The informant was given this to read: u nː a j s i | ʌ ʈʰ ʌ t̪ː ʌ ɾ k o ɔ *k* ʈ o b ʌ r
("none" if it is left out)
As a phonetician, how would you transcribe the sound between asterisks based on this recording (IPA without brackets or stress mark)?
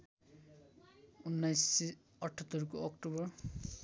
k